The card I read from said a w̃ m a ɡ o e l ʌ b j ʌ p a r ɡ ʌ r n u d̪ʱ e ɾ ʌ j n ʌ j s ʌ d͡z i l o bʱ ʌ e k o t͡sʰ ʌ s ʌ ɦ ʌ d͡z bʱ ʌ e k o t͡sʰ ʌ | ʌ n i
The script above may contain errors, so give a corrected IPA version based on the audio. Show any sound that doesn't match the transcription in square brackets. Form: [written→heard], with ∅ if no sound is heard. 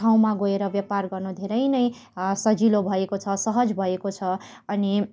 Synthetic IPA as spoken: a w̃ m a ɡ o e [l→ɾ] ʌ b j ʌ p a r ɡ ʌ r n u d̪ʱ e ɾ ʌ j n ʌ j s ʌ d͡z i l o bʱ ʌ e k o t͡sʰ ʌ s ʌ ɦ ʌ d͡z bʱ ʌ e k o t͡sʰ ʌ | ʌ n i